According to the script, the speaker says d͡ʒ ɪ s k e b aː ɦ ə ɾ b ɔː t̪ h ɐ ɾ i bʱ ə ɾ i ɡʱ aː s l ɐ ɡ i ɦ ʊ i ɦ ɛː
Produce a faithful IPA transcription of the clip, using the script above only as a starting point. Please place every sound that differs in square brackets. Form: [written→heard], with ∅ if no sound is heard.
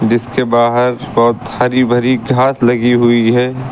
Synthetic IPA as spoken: d͡ʒ ɪ s k e b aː ɦ ə ɾ b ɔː t̪ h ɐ ɾ i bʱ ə ɾ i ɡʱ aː s l ɐ ɡ i ɦ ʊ i ɦ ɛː